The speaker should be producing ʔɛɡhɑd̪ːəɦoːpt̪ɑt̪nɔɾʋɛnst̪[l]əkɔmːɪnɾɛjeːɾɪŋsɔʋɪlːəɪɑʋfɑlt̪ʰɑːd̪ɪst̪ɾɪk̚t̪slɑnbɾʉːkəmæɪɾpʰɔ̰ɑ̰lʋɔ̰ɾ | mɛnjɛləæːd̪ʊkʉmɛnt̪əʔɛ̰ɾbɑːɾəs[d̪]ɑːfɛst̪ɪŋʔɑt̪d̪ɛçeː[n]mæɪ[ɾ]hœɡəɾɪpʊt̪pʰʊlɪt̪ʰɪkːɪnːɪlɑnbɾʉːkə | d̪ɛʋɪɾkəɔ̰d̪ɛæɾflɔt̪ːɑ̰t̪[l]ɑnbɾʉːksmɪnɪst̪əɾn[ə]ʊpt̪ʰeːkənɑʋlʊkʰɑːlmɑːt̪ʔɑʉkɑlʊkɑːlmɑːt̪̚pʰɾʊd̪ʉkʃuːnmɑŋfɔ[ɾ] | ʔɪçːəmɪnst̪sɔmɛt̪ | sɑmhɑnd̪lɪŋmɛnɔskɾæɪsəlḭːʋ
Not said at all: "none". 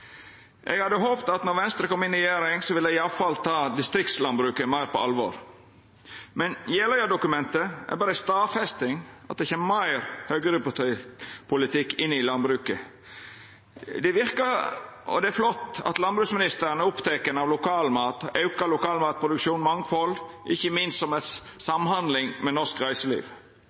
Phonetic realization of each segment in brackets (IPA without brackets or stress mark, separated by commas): ɾ, t̪, m, ɾ, l, ə, l